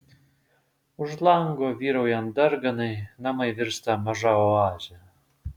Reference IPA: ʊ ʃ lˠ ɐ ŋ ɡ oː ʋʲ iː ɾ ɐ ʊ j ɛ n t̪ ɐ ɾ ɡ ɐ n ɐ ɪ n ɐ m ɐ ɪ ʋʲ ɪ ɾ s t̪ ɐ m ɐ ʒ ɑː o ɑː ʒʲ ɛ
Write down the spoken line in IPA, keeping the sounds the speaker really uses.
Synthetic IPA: ʊ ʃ lˠ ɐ ŋ ɡ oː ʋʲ iː ɾ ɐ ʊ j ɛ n d̪ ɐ ɾ ɡ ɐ n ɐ ɪ n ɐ m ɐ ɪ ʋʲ ɪ ɾ s t̪ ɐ m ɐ ʒ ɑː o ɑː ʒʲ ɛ

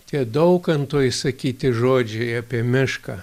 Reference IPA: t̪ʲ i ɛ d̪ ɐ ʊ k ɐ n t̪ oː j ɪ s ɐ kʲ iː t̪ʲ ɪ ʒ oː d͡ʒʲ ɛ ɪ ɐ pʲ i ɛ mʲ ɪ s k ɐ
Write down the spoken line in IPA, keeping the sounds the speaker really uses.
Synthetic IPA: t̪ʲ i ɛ d̪ ɐ ʊ k ɐ n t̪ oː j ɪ s ɐ kʲ iː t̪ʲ ɪ ʒ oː d͡ʒʲ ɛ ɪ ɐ pʲ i ɛ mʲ ɪ ʃ k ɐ

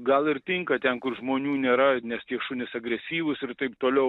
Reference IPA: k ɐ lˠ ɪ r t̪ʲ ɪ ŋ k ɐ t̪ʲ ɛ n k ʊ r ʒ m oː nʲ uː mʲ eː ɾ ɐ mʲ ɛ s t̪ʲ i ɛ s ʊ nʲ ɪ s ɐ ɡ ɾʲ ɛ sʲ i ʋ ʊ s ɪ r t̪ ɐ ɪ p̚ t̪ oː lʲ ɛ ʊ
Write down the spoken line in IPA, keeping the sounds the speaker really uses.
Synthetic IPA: ɡ ɐ lˠ ɪ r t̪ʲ ɪ ŋ k ɐ t̪ʲ ɛ n k ʊ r ʒ m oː nʲ uː nʲ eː ɾ ɐ nʲ ɛ s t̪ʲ i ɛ ʃ ʊ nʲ ɪ s ɐ ɡ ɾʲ ɛ sʲ iː ʋ ʊ s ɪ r t̪ ɐ ɪ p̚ t̪ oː lʲ ɛ ʊ

